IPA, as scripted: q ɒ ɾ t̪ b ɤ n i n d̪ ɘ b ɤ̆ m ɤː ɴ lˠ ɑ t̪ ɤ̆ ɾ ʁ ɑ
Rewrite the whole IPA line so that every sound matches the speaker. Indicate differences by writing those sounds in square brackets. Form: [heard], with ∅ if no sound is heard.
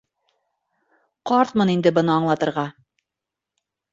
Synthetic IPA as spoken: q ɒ ɾ t̪ [m] ɤ n i n d̪ ɘ b ɤ̆ [n] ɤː ɴ lˠ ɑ t̪ ɤ̆ ɾ ʁ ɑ